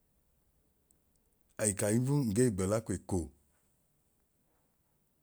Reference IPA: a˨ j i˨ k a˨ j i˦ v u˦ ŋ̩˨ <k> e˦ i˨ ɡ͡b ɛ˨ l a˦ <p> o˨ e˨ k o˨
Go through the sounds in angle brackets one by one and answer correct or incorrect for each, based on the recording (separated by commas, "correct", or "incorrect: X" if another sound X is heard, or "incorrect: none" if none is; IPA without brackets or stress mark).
incorrect: ɡ, incorrect: k